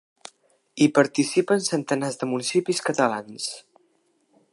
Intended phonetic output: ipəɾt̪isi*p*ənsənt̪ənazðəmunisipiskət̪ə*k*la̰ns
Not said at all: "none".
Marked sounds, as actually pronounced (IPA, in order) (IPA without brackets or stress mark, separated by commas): p, none